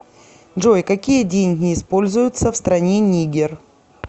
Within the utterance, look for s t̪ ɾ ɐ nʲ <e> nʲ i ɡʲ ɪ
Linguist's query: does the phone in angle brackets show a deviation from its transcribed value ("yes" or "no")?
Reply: no